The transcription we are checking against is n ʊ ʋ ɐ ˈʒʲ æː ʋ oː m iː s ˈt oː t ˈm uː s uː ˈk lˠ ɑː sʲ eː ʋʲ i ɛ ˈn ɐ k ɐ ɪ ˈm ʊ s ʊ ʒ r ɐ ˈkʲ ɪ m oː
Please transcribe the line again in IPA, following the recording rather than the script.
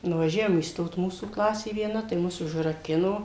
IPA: n ʊ ʋ ɐ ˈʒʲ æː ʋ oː m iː s ˈt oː t ˈm uː s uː ˈk lˠ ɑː sʲ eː ʋʲ i ɛ ˈn ɐ t ɐ ɪ ˈm ʊ s ʊ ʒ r ɐ ˈkʲ ɪ n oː